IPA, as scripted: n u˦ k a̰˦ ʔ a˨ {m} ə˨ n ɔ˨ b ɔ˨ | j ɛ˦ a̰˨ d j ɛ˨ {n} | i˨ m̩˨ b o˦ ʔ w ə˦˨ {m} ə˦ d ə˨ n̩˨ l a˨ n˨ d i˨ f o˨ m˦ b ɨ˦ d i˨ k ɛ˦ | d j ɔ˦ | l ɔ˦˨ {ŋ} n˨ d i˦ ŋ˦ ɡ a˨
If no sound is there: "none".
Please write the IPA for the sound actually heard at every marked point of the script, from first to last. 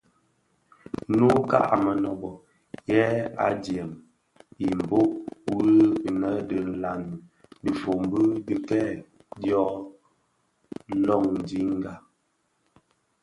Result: m, m, n, ŋ

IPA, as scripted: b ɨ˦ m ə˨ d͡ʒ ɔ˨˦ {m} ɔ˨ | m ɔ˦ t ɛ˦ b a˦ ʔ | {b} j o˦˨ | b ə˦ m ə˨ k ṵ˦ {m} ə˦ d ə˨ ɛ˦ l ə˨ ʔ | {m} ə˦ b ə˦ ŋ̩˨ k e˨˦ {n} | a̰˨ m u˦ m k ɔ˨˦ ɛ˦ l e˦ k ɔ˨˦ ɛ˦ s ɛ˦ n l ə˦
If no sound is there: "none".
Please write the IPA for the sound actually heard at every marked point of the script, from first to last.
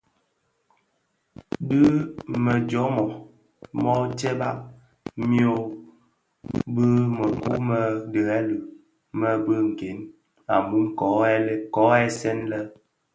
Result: m, m, m, m, n

